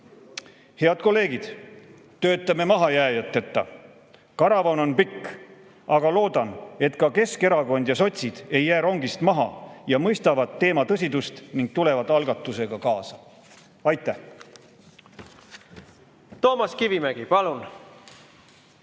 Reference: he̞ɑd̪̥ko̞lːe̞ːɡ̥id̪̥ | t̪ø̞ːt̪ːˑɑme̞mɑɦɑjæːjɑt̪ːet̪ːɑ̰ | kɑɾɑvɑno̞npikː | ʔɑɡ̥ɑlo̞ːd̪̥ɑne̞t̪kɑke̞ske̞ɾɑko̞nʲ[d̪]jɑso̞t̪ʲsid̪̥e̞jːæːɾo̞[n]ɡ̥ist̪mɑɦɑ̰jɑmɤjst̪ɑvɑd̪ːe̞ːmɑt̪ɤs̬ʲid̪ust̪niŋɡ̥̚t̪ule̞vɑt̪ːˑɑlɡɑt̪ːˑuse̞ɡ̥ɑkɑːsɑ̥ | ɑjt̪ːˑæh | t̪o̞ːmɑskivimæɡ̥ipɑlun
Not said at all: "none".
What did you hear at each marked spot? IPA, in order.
d̪, ŋ

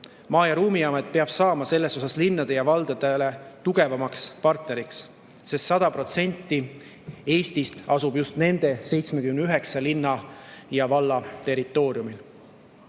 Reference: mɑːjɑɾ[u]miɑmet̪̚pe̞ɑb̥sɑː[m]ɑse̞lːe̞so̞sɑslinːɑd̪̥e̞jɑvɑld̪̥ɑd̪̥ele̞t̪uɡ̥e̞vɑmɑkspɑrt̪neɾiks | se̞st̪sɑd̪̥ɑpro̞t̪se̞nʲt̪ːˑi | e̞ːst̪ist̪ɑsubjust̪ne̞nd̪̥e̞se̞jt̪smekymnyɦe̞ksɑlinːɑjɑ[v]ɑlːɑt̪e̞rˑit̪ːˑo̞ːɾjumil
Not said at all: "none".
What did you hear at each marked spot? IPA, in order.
uː, m, v

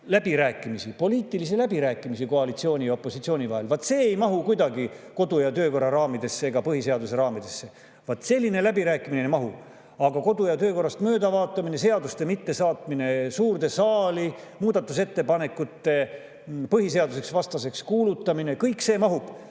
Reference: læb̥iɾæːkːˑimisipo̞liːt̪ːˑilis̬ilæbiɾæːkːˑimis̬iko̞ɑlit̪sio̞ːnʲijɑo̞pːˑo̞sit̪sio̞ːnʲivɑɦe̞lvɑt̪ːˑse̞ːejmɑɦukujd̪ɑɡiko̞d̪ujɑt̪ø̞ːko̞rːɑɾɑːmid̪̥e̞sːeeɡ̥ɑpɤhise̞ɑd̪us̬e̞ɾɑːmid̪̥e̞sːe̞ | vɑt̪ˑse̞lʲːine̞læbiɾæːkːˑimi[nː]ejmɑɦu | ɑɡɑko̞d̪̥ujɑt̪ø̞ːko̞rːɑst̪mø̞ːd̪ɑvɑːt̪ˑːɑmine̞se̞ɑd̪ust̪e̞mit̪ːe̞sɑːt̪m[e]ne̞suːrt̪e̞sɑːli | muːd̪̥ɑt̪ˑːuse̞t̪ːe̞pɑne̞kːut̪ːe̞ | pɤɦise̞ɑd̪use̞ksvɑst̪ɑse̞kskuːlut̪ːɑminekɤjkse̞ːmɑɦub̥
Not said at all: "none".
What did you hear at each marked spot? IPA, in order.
n, i

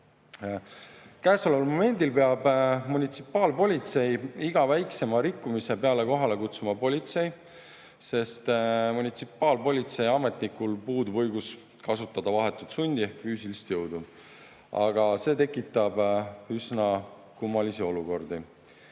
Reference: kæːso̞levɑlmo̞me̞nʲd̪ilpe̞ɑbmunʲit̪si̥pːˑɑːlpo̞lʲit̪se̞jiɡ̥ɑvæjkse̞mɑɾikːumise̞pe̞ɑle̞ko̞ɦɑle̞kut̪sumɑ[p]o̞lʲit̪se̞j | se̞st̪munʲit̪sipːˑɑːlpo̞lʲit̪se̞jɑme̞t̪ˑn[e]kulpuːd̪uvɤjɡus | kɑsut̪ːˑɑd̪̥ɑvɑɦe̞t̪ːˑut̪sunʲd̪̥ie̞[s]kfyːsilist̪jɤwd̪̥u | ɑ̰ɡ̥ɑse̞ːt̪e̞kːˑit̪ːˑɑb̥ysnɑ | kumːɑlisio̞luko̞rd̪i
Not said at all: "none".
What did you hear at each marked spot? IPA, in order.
p, i, h

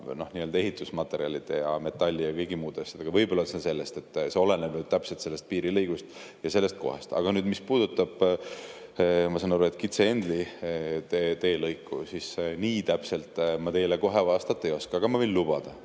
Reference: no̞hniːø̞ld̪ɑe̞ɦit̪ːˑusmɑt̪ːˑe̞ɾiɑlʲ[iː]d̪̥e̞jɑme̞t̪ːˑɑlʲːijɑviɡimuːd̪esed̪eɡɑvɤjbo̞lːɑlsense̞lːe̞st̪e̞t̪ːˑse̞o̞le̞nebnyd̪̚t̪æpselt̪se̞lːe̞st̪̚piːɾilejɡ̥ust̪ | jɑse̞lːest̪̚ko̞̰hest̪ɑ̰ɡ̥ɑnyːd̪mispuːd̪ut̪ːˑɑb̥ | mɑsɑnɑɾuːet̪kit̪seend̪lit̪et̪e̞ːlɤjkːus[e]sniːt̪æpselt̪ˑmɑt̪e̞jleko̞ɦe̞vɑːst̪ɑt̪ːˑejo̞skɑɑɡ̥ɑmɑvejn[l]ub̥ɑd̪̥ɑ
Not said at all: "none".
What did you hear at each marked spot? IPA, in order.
i, i, l

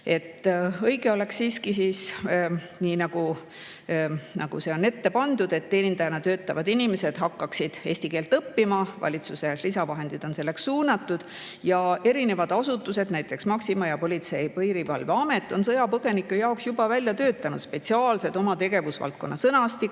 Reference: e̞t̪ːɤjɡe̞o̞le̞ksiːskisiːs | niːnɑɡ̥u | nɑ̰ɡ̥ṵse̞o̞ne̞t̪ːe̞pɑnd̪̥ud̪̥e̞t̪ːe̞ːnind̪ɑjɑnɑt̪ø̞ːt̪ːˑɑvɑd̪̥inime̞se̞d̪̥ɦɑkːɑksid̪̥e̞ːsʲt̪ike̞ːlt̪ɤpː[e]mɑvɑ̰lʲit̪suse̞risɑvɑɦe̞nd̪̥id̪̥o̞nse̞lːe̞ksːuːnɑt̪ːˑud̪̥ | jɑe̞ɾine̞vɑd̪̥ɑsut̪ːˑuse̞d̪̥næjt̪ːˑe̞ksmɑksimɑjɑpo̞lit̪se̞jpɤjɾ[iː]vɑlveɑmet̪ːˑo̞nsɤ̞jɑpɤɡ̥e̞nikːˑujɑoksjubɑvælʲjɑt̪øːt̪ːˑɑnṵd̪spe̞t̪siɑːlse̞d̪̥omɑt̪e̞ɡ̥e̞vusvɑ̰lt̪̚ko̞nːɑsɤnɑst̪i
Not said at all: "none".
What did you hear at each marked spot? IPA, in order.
i, i

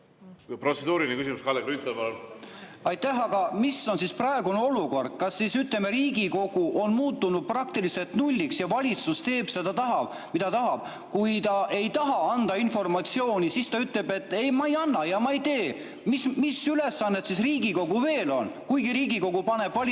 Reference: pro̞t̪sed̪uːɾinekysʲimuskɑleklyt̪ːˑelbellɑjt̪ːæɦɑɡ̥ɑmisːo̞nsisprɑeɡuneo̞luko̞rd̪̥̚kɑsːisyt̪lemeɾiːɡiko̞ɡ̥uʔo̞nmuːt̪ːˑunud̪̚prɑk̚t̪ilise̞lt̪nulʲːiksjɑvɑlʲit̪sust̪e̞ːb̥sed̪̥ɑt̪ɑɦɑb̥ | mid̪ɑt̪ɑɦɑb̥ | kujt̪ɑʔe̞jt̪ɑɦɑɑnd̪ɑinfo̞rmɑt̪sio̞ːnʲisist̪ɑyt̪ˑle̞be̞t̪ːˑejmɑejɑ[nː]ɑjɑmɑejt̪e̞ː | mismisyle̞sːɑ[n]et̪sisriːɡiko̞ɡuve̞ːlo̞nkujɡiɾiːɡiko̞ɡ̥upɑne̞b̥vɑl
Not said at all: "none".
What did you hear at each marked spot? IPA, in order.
nː, nː

